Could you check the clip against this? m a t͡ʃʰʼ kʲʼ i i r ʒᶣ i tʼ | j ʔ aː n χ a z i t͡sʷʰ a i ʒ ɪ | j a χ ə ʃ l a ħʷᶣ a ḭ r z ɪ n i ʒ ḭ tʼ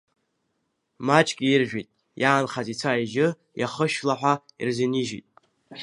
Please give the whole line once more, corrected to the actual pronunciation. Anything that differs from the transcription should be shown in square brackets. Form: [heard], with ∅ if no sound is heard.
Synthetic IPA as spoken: m a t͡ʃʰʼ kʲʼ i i r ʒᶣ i tʼ | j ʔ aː n χ a z i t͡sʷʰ a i ʒ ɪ | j a χ ə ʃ l a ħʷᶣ a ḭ r z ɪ n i ʒ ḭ tʼ